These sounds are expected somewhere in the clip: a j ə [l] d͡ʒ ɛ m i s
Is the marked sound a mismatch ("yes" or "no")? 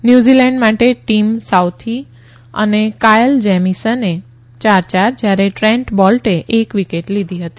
no